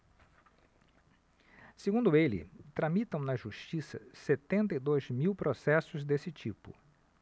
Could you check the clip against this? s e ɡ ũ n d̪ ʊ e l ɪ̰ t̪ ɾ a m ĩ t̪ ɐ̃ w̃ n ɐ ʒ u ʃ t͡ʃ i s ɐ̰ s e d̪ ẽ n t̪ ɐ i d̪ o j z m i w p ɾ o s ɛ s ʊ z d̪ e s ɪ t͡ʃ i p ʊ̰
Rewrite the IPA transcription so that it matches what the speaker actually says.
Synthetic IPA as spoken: s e ɡ ũ n d̪ ʊ e l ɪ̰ t̪ ɾ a m i t̪ ɐ̃ w̃ n ɐ ʒ u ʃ t͡ʃ i s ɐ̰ s e t̪ ẽ n t̪ ɐ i d̪ o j z m i w p ɾ o s ɛ s ʊ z d̪ e s ɪ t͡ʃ i p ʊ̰